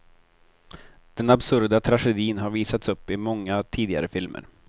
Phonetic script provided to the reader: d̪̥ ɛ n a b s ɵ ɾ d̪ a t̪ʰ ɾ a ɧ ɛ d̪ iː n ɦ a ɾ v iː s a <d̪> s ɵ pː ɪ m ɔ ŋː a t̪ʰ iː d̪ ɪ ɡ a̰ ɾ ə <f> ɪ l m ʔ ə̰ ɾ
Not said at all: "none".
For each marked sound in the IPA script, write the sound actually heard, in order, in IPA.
t̪, f

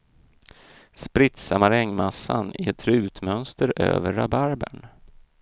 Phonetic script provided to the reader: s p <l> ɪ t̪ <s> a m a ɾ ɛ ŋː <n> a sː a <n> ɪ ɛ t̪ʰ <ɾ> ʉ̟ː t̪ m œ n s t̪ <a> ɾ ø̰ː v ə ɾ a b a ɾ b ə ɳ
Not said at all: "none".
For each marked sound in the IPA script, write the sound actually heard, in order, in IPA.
ɾ, s, m, n, ɾ, ə

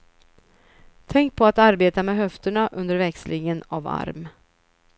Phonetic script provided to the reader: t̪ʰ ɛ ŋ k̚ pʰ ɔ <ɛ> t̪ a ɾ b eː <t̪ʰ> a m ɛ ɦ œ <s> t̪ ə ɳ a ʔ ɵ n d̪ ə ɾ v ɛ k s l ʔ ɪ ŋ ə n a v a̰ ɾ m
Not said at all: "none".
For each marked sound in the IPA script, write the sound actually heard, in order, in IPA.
a, t̪, f

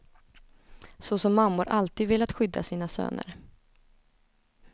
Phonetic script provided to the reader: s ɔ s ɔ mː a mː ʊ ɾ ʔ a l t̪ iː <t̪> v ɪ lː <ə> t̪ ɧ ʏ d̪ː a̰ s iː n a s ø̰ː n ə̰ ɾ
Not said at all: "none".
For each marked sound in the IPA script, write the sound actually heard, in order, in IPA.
d̪, a

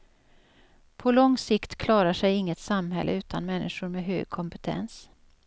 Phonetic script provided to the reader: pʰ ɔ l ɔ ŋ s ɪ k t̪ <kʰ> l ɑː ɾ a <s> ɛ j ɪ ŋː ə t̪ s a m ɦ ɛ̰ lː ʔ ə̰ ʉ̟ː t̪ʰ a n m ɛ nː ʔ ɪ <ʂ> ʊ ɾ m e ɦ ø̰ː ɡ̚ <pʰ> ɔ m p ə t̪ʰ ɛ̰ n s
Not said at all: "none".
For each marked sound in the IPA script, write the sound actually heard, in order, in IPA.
kʰ, ʂ, ʂ, kʰ

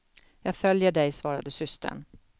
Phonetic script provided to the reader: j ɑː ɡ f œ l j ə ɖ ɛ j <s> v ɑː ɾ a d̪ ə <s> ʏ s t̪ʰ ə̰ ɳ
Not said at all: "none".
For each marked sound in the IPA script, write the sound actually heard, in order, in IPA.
s, s

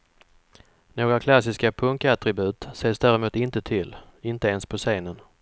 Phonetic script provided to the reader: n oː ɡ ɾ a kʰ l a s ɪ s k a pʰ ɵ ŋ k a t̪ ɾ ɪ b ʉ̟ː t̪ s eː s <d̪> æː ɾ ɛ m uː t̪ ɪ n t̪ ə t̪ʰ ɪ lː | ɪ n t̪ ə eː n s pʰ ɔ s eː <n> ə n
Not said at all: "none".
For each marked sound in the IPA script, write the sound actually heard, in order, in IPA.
d̪, n

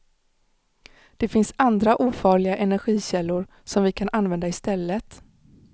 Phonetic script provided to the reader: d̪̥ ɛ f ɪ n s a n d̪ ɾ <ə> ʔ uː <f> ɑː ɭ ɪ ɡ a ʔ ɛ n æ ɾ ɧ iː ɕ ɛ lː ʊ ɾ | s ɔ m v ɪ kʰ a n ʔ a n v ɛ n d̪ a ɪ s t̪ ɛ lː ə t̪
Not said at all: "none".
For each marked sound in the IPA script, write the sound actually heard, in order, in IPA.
a, f

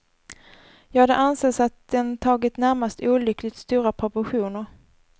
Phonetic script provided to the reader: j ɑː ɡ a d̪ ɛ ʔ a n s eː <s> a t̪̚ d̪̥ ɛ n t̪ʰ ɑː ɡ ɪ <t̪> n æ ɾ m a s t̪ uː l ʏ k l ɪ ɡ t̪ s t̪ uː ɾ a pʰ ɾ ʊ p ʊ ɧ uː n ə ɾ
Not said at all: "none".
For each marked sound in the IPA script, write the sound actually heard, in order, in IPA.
s, t̪

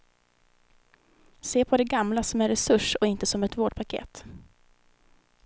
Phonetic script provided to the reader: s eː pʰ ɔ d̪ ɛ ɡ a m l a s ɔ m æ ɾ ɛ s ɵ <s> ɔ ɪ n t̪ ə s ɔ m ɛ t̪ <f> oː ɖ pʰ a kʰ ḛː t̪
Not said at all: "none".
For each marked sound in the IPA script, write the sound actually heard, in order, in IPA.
ʂ, v

